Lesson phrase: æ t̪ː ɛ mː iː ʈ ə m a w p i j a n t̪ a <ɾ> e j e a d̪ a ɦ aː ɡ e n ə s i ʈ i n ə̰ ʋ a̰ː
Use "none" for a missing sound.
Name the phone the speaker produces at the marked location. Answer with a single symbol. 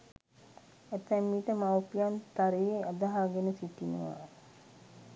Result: ɾ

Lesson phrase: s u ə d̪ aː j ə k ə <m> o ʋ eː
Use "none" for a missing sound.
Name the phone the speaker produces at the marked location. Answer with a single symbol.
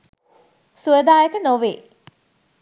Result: n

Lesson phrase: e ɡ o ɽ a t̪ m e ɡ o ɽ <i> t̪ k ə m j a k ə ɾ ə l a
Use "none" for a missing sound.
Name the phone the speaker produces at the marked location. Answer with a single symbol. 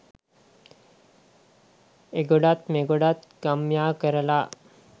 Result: a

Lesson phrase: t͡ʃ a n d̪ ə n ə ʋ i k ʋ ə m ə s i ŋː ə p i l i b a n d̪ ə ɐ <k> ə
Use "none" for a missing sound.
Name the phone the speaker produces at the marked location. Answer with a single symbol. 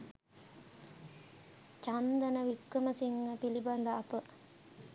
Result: p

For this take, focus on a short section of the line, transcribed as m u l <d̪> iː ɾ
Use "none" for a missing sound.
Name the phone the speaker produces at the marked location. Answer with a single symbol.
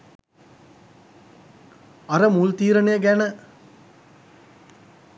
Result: t̪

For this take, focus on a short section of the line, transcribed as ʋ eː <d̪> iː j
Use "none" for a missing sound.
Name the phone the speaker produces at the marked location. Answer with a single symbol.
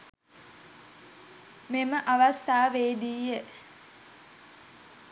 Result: d̪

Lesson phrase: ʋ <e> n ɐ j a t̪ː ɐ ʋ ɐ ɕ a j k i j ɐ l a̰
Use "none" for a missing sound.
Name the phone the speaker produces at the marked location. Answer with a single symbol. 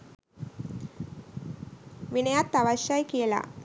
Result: i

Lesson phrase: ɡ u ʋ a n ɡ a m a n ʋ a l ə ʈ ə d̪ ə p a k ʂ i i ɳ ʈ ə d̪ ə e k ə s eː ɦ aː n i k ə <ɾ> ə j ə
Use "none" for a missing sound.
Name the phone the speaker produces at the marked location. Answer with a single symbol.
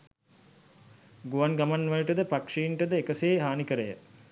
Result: ɾ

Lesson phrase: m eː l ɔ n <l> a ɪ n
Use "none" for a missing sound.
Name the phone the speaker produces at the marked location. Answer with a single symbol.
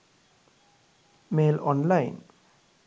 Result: l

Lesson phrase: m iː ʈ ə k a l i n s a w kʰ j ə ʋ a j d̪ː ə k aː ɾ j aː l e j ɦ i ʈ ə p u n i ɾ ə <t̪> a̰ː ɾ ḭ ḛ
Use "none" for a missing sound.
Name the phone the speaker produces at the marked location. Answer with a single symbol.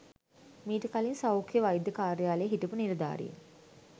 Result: d̪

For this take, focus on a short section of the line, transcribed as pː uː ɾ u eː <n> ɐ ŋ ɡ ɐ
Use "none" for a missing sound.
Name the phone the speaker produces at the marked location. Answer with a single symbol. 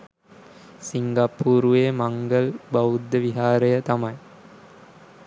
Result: m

